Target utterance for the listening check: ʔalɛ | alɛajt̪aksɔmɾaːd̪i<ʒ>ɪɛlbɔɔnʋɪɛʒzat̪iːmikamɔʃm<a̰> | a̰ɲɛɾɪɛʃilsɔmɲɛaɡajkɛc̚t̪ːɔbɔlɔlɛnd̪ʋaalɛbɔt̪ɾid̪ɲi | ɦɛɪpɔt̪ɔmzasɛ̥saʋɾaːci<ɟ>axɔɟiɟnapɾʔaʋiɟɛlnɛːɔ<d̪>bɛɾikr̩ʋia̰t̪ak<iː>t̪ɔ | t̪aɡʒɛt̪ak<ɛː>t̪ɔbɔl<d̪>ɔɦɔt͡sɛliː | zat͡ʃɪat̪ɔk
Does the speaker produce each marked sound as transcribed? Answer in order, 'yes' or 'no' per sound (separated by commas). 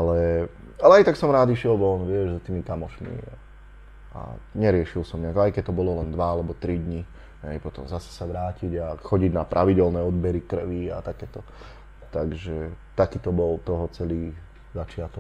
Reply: no, no, yes, yes, no, no, no